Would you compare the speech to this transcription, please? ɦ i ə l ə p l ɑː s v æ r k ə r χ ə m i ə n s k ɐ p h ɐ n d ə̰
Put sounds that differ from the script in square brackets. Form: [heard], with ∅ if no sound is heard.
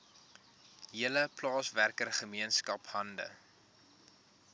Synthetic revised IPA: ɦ i ə l ə p l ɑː s v æ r k ə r χ ə m i ə n s k ɐ p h ɐ n d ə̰